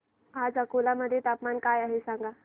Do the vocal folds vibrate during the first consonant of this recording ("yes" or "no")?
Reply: yes